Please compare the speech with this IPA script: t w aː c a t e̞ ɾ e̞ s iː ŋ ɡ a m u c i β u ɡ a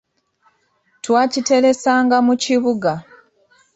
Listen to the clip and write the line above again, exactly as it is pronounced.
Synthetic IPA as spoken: t w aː c i t e̞ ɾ e̞ s aː ŋ ɡ a m u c i β u ɡ a